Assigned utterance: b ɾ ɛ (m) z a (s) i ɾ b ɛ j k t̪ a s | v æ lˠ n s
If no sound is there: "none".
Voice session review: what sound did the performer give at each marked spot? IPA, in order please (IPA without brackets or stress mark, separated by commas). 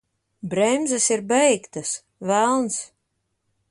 m, s